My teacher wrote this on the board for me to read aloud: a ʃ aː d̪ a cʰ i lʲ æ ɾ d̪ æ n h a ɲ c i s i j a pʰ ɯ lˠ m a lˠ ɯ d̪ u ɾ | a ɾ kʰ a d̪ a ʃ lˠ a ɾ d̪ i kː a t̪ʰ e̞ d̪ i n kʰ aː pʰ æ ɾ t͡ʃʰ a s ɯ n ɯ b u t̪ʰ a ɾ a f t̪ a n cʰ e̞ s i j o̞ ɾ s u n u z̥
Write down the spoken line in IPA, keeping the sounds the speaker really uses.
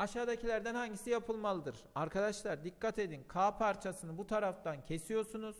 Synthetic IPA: a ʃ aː d̪ a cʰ i lʲ æ ɾ d̪ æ n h a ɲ ɟ i s i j a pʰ ɯ lˠ m a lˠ ɯ d̪ ɯ ɾ | a ɾ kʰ a d̪ a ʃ lˠ a ɾ d̪ i kː a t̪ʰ e̞ d̪ i n kʰ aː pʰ a ɾ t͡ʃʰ a s ɯ n ɯ b u t̪ʰ a ɾ a f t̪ a n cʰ e̞ s i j o̞ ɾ s u n u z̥